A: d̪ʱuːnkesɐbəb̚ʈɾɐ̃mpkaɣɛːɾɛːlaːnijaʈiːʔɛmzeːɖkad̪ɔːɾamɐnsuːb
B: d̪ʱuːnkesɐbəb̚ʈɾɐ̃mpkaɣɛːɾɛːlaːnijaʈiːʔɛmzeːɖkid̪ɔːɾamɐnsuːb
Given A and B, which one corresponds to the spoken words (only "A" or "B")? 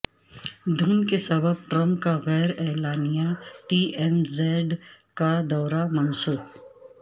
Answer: A